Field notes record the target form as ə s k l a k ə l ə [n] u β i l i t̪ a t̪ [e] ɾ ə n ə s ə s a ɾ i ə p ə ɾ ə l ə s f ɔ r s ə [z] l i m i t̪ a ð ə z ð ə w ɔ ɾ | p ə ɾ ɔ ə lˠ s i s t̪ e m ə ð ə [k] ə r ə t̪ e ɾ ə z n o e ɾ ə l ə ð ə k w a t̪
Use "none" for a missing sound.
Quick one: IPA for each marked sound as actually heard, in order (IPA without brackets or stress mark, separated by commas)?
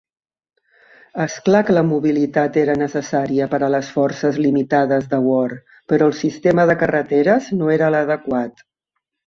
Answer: m, e, z, k